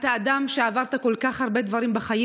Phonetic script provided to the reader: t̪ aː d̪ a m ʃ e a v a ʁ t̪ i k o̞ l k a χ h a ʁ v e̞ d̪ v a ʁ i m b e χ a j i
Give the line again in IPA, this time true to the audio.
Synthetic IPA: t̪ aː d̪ a m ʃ e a v a ʁ t̪ a k o̞ l k a χ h a ʁ b e̞ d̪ v a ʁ i m b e χ a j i

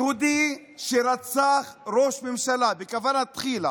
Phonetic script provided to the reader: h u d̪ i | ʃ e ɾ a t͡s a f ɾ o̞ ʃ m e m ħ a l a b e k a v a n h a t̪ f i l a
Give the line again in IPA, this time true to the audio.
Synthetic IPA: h u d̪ i | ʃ e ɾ a t͡s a χ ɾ o̞ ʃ m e m ʃ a l a b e k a v a n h a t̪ χ i l a

